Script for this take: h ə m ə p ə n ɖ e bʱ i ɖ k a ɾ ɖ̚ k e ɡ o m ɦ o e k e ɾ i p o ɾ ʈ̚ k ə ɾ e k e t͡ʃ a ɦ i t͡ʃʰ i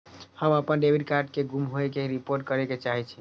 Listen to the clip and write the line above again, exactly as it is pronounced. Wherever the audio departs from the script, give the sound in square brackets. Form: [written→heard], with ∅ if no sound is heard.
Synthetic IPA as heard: h ə m ə p ə n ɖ e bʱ i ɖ k a ɾ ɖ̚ k e ɡ [o→u] m ɦ o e k e ɾ i p o ɾ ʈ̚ k ə ɾ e k e t͡ʃ a ɦ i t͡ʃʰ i